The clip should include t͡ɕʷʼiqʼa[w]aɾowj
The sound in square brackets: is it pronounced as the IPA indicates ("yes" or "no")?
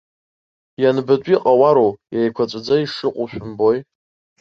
yes